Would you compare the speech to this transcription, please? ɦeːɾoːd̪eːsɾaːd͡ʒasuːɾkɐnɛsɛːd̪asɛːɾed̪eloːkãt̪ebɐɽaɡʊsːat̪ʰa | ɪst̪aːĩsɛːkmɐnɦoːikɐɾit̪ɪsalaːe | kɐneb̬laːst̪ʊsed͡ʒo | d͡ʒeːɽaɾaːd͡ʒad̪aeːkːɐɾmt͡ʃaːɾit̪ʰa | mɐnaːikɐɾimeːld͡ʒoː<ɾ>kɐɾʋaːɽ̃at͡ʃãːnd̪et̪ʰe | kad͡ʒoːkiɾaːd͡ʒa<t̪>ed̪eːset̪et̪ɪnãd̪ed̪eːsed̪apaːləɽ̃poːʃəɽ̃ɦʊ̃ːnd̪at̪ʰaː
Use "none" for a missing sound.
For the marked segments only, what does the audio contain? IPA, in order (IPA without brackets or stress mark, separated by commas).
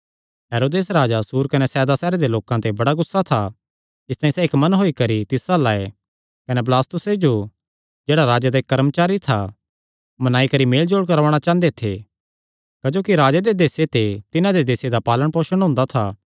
ɽ, d̪